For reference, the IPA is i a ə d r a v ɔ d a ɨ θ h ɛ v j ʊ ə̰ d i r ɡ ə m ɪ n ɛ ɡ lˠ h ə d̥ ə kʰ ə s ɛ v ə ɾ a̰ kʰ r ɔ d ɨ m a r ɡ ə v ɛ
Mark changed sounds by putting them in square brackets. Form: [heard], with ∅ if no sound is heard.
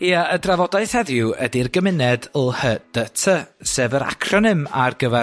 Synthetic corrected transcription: i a ə d r a v ɔ d a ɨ θ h ɛ [ð] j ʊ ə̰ d i r ɡ ə m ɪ n ɛ [d] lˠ h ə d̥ ə [tʰ] ə s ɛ v ə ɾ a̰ kʰ r ɔ [n] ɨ m a r ɡ ə v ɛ

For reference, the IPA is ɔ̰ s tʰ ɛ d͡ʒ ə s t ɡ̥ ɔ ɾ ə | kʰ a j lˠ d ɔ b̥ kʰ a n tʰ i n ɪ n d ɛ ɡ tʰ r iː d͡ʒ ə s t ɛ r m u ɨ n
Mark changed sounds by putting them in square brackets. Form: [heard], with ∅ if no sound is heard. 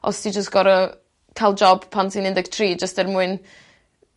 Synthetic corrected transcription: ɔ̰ s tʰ [i] d͡ʒ ə s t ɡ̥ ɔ ɾ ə | kʰ a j lˠ [d͡ʒ] ɔ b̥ [pʰ] a n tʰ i n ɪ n d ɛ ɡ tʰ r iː d͡ʒ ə s t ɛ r m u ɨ n

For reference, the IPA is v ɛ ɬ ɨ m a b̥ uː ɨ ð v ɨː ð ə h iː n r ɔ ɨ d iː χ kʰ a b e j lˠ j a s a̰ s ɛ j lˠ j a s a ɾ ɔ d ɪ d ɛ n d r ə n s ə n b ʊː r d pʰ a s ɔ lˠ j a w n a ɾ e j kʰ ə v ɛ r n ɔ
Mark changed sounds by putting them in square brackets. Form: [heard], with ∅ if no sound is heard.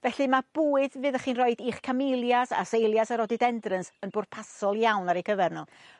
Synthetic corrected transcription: v ɛ ɬ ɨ m a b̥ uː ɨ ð v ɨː ð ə [χ] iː n r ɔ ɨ d iː χ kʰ a [m] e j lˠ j a s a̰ s [e] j lˠ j a s a ɾ ɔ d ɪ d ɛ n d r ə n s ə n b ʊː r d pʰ a s ɔ lˠ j a w n a ɾ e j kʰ ə v ɛ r n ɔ

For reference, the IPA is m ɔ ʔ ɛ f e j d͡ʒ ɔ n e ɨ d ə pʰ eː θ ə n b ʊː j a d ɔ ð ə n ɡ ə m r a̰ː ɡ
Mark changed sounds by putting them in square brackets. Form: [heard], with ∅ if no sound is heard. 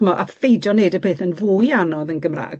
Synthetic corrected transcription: m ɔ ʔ [a] f e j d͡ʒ ɔ n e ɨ d ə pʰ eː θ ə n [v] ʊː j a [n] ɔ ð ə n ɡ ə m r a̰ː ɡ

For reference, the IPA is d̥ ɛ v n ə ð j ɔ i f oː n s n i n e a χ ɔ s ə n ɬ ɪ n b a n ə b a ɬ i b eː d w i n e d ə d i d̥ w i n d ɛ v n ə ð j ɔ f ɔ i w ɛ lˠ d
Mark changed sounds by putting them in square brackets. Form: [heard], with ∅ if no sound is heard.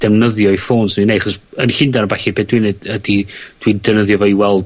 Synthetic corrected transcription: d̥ ɛ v n ə ð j ɔ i f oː n s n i n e a χ ɔ s ə n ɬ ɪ n [d] a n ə b a ɬ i b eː d w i n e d ə d i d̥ w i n d ɛ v n ə ð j ɔ [v] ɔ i w ɛ lˠ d

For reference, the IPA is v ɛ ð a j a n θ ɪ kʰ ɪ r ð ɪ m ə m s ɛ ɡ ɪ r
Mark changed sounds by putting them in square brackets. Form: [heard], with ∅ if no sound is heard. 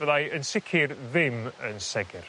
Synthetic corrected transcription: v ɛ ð a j [ə] n [s] ɪ kʰ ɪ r ð ɪ m ə [n] s ɛ ɡ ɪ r

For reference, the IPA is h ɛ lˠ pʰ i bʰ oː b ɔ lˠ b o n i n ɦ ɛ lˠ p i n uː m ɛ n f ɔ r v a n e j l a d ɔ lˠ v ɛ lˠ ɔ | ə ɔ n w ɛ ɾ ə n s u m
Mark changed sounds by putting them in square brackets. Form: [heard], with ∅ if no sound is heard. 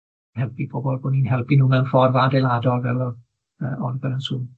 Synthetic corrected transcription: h ɛ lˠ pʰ i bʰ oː b ɔ lˠ b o n i n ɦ ɛ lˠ p i n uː m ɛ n f ɔ r v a [d] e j l a d ɔ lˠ v ɛ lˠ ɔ | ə ɔ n [b] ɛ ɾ ə n s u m

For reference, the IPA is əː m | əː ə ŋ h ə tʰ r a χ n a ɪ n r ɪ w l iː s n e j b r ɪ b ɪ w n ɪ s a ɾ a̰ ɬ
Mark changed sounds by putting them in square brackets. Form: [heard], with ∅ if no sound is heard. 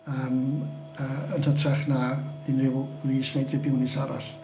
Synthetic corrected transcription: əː m | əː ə [n] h ə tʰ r a χ n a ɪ n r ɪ w l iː s n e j [d] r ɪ b ɪ w n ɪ s a ɾ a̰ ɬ

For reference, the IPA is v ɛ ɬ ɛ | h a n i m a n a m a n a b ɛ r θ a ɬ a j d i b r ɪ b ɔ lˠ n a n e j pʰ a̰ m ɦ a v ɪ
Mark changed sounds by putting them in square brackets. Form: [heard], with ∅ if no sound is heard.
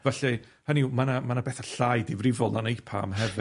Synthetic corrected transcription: v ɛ ɬ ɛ | h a n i m a n a m a n a b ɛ [∅] θ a ɬ a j d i [v] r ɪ [v] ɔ lˠ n a n e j pʰ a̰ m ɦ [ɛ] v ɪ

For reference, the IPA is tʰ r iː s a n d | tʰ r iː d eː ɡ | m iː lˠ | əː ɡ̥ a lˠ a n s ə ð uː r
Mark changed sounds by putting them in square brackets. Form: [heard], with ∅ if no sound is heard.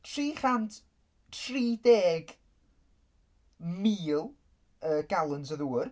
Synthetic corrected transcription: tʰ r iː [χ] a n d | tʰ r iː d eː ɡ | m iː lˠ | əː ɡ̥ a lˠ [ə] n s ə ð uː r

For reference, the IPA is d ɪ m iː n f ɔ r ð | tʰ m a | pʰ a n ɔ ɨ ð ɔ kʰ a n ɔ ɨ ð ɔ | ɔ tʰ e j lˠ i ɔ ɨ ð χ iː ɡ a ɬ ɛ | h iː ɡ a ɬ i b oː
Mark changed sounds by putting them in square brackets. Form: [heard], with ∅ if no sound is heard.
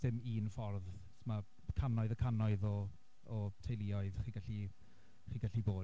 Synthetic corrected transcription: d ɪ m iː n f ɔ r ð | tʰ m a | [kʰ] a n ɔ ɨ ð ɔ kʰ a n ɔ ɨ ð ɔ | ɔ tʰ e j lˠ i ɔ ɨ ð χ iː ɡ a ɬ [i] | [χ] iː ɡ a ɬ i b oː

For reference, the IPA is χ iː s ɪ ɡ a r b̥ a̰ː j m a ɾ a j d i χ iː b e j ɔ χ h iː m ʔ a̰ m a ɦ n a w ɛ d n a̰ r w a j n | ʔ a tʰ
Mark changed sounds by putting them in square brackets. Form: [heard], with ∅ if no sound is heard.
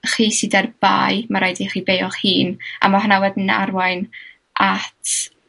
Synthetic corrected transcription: χ iː s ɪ [d] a r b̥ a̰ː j m a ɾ a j d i χ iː b e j ɔ χ h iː [n] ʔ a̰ m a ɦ n a w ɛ d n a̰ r w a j n | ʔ a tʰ

